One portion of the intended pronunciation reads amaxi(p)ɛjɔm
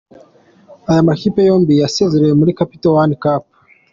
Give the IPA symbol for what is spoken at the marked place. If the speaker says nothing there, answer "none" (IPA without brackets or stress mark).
p